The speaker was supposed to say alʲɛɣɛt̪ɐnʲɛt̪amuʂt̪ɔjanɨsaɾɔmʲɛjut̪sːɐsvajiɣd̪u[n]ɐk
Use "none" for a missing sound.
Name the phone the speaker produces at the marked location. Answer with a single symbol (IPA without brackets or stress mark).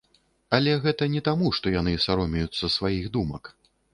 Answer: m